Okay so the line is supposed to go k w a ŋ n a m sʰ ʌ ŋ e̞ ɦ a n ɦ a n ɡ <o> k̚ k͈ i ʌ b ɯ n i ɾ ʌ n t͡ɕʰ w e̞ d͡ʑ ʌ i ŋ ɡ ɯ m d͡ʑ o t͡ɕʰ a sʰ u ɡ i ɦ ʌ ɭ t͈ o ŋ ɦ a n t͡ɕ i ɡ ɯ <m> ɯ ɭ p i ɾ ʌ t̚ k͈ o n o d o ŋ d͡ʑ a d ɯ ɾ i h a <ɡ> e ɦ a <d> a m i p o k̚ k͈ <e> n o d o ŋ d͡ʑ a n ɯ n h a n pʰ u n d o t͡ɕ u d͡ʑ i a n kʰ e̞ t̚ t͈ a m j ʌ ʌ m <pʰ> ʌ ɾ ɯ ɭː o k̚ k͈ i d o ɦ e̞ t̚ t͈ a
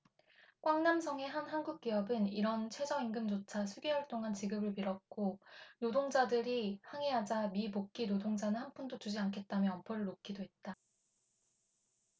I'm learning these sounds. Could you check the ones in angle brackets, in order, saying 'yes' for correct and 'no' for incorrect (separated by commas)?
no, no, no, no, no, yes